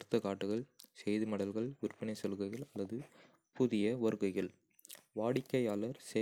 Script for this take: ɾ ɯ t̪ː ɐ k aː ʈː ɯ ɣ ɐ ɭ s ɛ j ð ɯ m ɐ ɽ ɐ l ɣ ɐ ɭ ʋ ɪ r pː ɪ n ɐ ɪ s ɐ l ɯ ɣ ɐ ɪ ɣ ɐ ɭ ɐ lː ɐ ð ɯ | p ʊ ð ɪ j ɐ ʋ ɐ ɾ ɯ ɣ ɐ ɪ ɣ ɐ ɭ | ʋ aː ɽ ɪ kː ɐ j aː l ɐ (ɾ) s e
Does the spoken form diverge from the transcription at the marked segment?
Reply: no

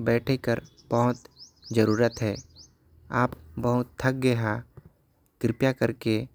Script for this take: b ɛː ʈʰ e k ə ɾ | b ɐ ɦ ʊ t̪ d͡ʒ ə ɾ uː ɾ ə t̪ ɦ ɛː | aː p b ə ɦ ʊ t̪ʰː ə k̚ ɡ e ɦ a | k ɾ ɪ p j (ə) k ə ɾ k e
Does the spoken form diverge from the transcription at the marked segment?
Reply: yes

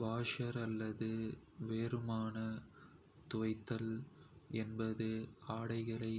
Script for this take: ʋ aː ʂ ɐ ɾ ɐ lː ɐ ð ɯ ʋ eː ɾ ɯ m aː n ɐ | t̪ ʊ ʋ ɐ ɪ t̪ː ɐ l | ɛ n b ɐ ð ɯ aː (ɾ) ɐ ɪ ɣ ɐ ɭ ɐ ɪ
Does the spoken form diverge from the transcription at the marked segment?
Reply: yes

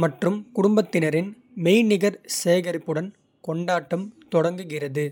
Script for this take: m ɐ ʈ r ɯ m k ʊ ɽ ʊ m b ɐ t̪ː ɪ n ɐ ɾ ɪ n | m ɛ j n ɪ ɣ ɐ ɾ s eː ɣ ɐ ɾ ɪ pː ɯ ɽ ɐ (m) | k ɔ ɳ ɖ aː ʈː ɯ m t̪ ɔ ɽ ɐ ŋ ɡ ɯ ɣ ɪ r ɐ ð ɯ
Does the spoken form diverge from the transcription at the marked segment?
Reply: yes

